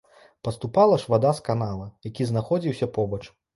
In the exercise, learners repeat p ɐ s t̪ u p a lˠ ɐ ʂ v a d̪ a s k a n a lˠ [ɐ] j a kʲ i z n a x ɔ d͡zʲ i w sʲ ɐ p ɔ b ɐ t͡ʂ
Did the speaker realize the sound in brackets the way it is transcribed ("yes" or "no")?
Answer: yes